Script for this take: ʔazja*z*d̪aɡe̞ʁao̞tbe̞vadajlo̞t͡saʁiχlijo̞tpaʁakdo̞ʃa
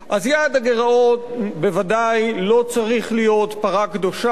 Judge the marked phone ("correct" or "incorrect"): incorrect